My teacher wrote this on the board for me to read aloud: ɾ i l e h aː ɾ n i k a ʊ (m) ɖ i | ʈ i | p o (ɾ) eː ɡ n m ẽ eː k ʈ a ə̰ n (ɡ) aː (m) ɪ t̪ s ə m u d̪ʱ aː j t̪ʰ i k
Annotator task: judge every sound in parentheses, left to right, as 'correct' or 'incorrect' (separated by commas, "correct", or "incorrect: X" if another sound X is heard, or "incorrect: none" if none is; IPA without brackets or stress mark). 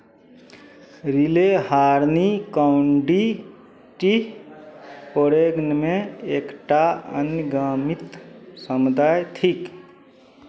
incorrect: ɳ, correct, correct, correct